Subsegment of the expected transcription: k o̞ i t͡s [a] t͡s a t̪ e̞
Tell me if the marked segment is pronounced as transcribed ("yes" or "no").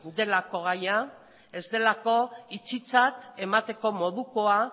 no